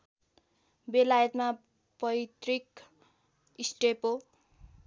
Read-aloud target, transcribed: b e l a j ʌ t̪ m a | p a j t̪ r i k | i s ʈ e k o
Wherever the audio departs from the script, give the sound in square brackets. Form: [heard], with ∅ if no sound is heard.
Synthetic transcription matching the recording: b e l a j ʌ t̪ m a | p [ʌ] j t̪ r i k | i s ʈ e [p] o